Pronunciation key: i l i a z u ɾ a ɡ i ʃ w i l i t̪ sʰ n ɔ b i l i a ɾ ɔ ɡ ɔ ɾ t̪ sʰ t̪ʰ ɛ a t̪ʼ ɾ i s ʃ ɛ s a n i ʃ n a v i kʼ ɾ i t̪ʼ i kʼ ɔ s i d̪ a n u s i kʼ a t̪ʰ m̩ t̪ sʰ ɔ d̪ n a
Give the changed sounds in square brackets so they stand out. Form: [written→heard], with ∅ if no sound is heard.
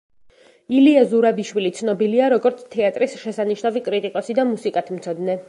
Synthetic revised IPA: i l i a z u ɾ a [ɡ→b] i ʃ w i l i t̪ sʰ n ɔ b i l i a ɾ ɔ ɡ ɔ ɾ t̪ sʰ t̪ʰ ɛ a t̪ʼ ɾ i s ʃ ɛ s a n i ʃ n a v i kʼ ɾ i t̪ʼ i kʼ ɔ s i d̪ a [n→m] u s i kʼ a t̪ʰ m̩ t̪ sʰ ɔ d̪ n [a→ɛ]